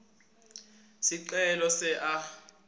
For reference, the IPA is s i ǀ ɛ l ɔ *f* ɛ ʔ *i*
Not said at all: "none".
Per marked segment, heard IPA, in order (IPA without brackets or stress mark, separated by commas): s, a